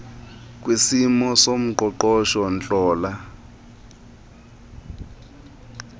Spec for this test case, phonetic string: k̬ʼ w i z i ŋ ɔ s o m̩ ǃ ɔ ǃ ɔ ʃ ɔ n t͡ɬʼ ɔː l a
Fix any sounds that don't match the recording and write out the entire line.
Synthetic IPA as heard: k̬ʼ w i s i m ɔ s o m̩ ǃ ɔ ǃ ɔ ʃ ɔ n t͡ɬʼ ɔː l a